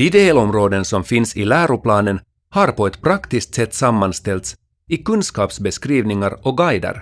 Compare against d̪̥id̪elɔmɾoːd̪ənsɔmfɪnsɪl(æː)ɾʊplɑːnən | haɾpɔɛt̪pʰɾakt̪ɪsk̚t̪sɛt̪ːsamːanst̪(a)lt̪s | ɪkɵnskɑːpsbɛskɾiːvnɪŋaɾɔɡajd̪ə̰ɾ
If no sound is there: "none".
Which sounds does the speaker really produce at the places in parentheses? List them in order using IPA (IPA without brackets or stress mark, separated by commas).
æː, ɛ